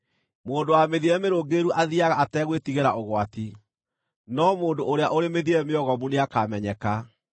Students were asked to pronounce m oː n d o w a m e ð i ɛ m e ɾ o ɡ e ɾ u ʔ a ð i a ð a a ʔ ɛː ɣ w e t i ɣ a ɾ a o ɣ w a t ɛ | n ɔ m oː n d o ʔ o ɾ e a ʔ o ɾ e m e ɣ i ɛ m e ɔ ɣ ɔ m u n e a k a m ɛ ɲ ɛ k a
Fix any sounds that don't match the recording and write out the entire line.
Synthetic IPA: m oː n d o w a m e ð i ɛ m e ɾ o ɡ e ɾ u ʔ a ð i a ɣ a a t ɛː ɣ w e t i ɣ e ɾ a o ɣ w a t i | n ɔ m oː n d o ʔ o ɾ e a ʔ o ɾ e m e ð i ɛ m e ɔ ɣ ɔ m u n e a k a m ɛ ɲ ɛ k a

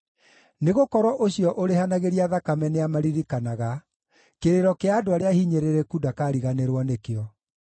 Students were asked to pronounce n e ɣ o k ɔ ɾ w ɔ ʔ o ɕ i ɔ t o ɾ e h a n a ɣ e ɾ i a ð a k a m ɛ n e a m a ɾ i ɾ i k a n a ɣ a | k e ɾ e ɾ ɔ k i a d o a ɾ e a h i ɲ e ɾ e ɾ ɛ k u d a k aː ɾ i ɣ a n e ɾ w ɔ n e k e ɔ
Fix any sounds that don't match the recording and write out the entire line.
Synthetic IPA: n e ɣ o k ɔ ɾ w ɔ ʔ o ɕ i ɔ ʔ o ɾ e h a n a ɣ e ɾ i a ð a k a m ɛ n e a m a ɾ i ɾ i k a n a ɣ a | k e ɾ e ɾ ɔ k e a d o a ɾ e a h i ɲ e ɾ e ɾ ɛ k u d a k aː ɾ i ɣ a n e ɾ w ɔ n e k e ɔ

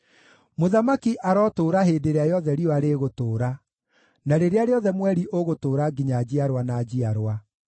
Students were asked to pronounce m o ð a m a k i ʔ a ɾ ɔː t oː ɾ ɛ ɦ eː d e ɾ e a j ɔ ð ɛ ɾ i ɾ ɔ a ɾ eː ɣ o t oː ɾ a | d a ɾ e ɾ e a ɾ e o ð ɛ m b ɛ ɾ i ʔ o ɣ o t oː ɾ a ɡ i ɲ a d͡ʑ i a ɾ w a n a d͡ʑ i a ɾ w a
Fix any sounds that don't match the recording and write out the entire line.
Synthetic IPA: m o ð a m a k i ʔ a ɾ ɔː t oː ɾ a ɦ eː d e ɾ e a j ɔ ð ɛ ɾ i ɔ a ɾ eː ɣ o t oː ɾ a | n a ɾ e ɾ e a ɾ e ɔ ð ɛ m w ɛ ɾ i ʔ o ɣ o t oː ɾ a ɡ i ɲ a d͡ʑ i a ɾ w a n a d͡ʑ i a ɾ w a

